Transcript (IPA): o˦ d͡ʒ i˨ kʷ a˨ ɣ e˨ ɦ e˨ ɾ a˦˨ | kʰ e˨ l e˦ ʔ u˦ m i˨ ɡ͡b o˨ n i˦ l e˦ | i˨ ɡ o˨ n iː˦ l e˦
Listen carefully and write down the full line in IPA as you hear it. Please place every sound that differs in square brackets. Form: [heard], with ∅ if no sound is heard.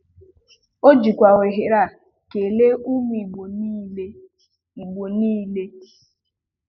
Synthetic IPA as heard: o˦ d͡ʒ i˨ kʷ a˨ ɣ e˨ ɦ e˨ ɾ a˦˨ | [k] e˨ l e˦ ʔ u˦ m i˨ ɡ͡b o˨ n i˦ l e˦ | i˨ [ɡ͡b] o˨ n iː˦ l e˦